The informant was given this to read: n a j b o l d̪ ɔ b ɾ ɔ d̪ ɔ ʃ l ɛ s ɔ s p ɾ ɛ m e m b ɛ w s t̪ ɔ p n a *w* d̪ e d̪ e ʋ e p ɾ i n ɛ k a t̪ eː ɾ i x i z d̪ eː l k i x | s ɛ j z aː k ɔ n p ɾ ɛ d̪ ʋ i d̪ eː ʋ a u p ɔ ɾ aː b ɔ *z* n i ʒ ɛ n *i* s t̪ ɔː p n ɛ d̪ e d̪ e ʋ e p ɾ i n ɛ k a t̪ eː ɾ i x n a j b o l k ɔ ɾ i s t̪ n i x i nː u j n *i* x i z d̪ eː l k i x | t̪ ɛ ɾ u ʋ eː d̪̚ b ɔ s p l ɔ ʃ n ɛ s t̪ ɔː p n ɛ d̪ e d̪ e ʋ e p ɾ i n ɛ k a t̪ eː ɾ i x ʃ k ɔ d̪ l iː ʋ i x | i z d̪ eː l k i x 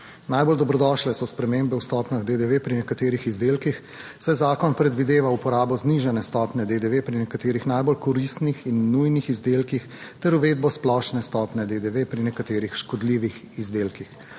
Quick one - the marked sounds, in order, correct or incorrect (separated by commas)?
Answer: incorrect, correct, incorrect, correct